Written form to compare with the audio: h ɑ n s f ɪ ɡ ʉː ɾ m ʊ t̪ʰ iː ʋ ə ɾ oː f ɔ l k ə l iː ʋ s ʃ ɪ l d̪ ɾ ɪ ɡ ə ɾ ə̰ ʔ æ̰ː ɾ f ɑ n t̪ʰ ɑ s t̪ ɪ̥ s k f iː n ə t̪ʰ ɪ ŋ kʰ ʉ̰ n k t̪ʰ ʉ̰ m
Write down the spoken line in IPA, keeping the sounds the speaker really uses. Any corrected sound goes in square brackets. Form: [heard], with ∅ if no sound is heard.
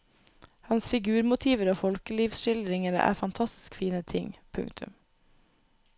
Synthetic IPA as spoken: h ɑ n s f ɪ ɡ ʉː ɾ m ʊ t̪ʰ iː ʋ ə ɾ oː f ɔ l k ə l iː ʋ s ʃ ɪ l d̪ ɾ ɪ [ŋ] ə ɾ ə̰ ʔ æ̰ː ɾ f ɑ n t̪ʰ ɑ s t̪ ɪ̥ s k f iː n ə t̪ʰ ɪ ŋ [pʰ] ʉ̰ [ŋ] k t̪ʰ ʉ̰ m